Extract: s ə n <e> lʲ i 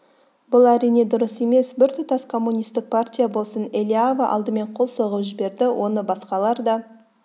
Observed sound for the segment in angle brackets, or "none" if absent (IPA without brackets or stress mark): e